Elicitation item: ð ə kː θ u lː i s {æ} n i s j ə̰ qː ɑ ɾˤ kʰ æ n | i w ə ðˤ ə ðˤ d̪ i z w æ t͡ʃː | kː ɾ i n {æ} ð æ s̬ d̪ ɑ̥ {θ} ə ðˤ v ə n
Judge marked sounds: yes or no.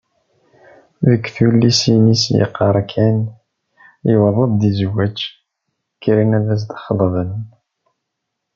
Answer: no, yes, no

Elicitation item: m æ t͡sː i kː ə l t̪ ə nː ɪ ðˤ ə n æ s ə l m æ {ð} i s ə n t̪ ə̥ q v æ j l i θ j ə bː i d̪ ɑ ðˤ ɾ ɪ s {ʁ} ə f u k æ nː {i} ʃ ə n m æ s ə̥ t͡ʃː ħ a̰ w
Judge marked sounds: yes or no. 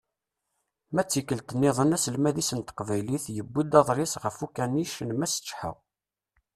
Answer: yes, yes, yes

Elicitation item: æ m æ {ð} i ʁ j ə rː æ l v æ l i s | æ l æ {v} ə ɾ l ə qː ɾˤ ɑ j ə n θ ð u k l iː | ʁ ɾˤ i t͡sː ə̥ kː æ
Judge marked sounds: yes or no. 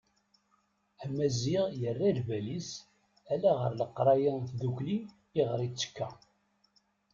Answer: no, no

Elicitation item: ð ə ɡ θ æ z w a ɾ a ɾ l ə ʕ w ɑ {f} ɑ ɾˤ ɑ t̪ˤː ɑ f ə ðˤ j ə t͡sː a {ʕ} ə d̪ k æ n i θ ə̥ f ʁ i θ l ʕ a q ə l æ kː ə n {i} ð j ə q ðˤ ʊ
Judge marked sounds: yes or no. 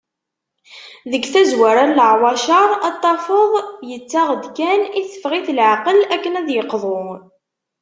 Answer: no, no, no

